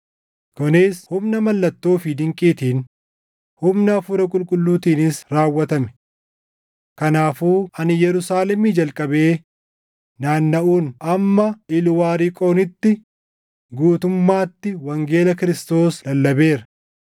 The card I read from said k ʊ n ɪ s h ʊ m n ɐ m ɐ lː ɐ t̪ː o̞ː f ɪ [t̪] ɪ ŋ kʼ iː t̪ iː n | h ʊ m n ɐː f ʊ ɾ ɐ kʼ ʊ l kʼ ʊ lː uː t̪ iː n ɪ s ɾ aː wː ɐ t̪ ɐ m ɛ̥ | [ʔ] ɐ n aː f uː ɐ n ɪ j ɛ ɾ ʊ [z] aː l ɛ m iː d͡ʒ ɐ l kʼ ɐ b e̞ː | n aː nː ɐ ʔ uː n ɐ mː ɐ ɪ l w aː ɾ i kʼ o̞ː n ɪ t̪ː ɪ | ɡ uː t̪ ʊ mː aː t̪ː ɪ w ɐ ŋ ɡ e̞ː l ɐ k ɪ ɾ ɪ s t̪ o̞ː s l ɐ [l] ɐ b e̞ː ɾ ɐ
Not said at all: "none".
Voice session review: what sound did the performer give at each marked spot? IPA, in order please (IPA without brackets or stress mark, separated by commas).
d̪, k, s, lː